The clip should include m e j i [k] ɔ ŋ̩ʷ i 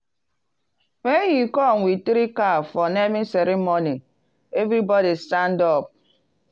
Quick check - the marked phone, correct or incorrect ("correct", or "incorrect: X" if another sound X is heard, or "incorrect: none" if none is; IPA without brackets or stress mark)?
correct